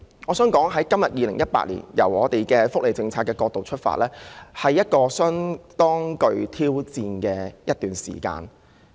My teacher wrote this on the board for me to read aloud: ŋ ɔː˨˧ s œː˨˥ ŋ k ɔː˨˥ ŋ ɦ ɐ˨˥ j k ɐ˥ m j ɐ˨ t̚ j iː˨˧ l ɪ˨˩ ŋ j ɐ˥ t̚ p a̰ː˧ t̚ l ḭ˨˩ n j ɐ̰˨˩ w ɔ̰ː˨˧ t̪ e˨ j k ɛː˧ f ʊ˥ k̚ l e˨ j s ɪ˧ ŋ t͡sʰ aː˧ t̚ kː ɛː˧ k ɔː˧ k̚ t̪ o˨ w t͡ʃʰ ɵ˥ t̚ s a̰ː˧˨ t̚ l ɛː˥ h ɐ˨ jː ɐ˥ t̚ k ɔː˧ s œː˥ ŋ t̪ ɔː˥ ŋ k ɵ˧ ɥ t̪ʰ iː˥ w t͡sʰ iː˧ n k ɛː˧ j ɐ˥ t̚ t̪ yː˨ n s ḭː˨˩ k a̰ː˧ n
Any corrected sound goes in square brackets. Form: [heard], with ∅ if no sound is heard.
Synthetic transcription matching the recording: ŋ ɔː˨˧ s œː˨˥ ŋ k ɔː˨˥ ŋ ɦ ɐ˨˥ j k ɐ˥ m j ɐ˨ t̚ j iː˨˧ l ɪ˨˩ ŋ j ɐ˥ t̚ p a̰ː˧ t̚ l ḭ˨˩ n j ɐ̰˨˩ w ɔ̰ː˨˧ t̪ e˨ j k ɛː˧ f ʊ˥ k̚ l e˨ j [t͡s] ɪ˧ ŋ t͡sʰ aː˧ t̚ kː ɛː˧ k ɔː˧ k̚ t̪ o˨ w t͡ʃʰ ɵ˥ t̚ [f] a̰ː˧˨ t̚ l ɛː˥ h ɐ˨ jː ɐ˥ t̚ k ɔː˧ s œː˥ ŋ t̪ ɔː˥ ŋ k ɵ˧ ɥ t̪ʰ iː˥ w [t͡s] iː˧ n k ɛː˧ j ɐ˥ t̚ t̪ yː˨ n s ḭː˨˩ k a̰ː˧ n